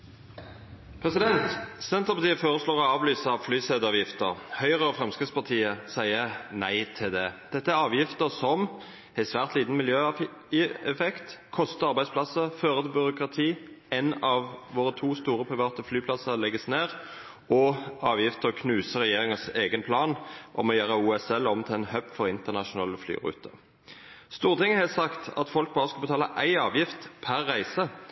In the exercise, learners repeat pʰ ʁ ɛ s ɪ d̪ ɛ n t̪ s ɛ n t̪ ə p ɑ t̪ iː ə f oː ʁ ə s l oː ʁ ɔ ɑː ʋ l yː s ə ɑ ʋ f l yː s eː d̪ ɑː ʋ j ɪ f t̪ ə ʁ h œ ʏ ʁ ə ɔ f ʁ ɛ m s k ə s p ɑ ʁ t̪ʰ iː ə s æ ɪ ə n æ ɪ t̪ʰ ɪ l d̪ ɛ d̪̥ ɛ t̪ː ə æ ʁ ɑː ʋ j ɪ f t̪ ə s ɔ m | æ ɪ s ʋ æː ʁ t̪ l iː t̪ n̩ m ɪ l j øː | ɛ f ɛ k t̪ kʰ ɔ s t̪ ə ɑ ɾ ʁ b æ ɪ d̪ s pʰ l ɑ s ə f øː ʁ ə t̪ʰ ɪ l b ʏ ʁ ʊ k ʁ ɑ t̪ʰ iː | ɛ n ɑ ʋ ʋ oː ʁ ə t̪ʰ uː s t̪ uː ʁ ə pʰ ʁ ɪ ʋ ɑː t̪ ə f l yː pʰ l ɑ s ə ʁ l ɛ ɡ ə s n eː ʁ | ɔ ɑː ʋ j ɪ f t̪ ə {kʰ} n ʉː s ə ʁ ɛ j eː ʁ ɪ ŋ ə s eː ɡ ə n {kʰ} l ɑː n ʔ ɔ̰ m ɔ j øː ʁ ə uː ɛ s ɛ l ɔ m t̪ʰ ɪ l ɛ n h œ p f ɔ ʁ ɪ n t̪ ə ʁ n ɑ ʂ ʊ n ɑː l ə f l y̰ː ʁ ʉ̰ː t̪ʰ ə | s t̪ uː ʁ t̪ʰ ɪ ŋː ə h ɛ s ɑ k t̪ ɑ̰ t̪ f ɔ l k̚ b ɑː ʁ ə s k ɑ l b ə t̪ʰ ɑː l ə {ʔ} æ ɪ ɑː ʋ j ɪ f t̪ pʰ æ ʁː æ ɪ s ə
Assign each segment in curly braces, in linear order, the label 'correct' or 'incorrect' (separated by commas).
correct, incorrect, correct